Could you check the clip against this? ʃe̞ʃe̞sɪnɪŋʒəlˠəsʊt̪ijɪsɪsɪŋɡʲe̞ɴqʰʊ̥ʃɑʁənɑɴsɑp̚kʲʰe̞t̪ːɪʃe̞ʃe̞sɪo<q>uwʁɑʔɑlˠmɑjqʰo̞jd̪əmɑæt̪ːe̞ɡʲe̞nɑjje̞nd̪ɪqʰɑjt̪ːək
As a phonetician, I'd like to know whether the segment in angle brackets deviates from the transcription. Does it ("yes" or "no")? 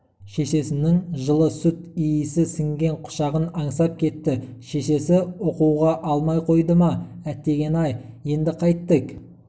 no